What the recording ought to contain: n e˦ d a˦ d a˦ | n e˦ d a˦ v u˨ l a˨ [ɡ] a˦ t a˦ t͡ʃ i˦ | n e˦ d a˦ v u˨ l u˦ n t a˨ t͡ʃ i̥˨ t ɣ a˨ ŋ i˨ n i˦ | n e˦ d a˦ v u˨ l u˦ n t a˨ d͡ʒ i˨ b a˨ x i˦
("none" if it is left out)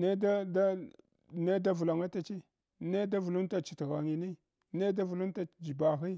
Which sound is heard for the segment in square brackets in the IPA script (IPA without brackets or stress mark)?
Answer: ŋ